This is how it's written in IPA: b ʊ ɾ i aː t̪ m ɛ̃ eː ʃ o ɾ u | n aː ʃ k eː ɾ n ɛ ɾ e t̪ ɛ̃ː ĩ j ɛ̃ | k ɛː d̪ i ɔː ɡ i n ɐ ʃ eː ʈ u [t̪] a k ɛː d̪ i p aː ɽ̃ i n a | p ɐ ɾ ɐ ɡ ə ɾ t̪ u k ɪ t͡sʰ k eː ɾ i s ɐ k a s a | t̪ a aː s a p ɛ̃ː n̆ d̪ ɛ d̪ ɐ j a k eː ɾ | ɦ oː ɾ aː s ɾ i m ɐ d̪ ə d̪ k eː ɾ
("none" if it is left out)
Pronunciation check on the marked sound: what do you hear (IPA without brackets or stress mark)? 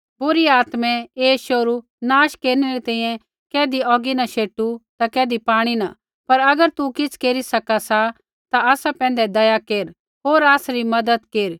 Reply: t̪